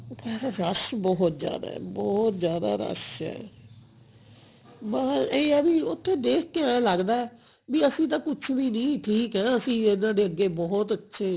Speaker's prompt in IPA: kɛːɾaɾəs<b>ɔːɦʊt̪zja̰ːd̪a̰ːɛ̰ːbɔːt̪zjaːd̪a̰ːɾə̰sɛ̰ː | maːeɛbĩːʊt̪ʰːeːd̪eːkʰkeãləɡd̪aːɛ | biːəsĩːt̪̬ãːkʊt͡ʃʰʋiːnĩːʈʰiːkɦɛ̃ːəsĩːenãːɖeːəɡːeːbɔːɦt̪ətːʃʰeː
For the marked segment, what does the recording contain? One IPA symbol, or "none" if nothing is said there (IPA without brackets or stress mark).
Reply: b